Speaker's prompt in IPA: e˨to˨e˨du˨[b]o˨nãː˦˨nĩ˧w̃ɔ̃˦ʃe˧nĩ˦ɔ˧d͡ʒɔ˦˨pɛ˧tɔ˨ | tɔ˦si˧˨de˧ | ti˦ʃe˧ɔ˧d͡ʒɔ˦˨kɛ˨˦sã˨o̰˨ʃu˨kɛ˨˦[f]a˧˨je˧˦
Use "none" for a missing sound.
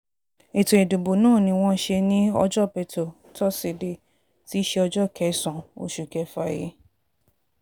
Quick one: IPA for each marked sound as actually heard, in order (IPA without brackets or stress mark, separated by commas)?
b, f